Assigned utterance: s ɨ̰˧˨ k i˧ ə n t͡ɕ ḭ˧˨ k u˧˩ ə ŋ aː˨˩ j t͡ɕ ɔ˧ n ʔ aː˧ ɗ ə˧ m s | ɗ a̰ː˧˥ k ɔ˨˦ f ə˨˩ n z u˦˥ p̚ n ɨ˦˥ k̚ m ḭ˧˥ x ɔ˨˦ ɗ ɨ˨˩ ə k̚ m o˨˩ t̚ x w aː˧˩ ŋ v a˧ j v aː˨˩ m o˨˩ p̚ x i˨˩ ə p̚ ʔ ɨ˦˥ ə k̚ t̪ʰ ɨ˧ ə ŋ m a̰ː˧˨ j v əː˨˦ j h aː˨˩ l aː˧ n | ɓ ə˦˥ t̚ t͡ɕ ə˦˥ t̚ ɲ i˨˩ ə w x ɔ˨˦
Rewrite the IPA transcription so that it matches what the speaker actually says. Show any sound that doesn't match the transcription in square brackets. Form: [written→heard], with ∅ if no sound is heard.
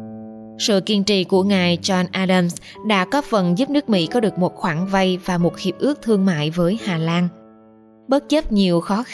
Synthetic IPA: s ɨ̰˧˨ k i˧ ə n t͡ɕ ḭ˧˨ k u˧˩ ə ŋ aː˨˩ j t͡ɕ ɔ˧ n ʔ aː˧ ɗ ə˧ m s | ɗ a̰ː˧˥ k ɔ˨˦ f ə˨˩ n z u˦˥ p̚ n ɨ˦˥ k̚ m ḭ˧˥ [x→k] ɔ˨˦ ɗ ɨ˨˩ ə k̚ m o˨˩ t̚ x w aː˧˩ ŋ v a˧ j v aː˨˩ m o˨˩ [p̚→t̚] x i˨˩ ə p̚ ʔ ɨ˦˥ ə k̚ t̪ʰ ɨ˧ ə ŋ m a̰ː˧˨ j v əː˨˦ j h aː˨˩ l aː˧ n | ɓ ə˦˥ t̚ t͡ɕ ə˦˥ [t̚→p̚] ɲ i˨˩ ə w x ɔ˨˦